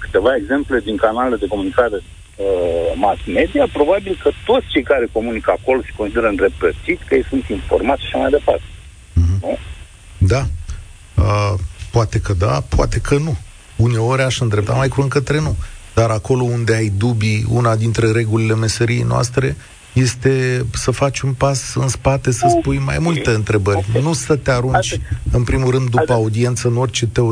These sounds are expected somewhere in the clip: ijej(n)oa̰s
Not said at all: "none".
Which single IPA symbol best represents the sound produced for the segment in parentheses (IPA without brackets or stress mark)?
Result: n